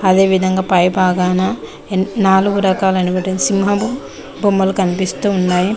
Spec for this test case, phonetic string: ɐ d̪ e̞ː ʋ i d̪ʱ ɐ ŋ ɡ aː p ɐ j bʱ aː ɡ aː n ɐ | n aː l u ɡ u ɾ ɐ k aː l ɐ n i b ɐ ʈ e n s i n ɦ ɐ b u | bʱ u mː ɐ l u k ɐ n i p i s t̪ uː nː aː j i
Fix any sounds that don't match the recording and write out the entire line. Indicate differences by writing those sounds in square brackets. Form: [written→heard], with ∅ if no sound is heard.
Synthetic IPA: ɐ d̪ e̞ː ʋ i d̪ʱ ɐ ŋ ɡ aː p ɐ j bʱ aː ɡ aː n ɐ | n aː l u ɡ u ɾ ɐ k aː l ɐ n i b ɐ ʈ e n s i [n→m] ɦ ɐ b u | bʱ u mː ɐ l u k ɐ n i p i s t̪ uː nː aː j i

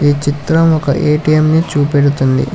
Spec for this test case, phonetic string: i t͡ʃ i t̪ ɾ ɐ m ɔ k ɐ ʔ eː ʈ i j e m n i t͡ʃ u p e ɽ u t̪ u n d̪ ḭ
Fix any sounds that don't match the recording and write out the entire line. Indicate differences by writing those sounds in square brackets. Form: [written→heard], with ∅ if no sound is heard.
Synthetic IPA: [i→iː] t͡ʃ i t̪ ɾ ɐ m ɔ k ɐ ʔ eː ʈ i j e m n i t͡ʃ [u→uː] p e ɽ u t̪ u n d̪ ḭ

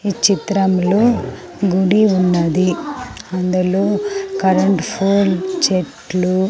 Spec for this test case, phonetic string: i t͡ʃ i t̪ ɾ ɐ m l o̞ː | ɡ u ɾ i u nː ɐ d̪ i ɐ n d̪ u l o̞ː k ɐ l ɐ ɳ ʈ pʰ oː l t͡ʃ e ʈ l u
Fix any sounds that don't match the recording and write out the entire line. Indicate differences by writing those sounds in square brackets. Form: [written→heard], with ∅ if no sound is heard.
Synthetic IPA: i t͡ʃ i t̪ ɾ ɐ m l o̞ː | ɡ u [ɾ→ɽ] i u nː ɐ d̪ i ɐ n d̪ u l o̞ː k ɐ [l→ɾ] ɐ ɳ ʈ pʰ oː l t͡ʃ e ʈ l u

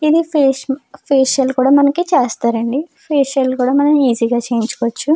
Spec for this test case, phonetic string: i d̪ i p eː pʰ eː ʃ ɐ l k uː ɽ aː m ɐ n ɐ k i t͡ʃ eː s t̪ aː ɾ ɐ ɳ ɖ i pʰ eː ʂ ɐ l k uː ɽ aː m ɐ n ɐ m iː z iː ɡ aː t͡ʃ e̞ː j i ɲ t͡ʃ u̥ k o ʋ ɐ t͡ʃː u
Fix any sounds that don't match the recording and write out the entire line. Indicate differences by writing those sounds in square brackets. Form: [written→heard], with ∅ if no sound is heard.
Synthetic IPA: i d̪ i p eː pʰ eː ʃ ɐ l k uː ɽ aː m ɐ n ɐ k i t͡ʃ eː s t̪ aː ɾ ɐ ɳ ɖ i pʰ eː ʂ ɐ l k uː ɽ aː m ɐ n ɐ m iː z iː ɡ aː t͡ʃ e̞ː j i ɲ t͡ʃ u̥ k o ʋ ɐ t͡ʃː u

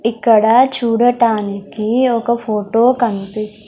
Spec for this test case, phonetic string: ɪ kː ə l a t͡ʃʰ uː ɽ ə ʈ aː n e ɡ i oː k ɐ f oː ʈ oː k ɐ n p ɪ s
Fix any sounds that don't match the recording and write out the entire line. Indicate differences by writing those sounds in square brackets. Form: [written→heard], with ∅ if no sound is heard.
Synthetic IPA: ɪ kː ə [l→ɽ] a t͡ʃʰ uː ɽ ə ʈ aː n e [ɡ→k] i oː k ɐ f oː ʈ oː k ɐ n p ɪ s

